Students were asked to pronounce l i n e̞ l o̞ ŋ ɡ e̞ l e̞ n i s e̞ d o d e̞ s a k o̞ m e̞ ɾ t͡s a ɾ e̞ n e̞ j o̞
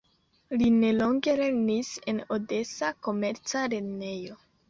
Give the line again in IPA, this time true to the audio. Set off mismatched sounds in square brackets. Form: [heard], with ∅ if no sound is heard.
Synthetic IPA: l i n e̞ l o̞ ŋ ɡ e̞ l e̞ n i s e̞ [n] o d e̞ s a k o̞ m e̞ ɾ t͡s a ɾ e̞ n e̞ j o̞